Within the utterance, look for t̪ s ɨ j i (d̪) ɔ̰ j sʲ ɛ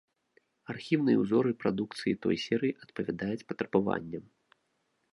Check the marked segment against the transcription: incorrect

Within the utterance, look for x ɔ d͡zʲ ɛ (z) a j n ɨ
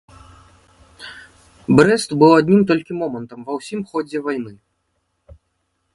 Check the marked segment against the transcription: incorrect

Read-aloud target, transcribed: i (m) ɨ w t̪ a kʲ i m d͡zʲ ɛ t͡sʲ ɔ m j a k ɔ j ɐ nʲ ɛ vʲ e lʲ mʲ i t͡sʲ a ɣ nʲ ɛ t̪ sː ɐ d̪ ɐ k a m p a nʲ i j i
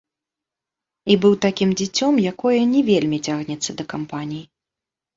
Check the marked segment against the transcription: incorrect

